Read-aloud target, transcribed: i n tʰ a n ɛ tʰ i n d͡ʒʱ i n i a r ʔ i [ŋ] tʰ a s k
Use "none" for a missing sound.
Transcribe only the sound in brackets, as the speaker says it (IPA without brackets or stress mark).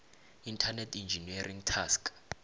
ŋ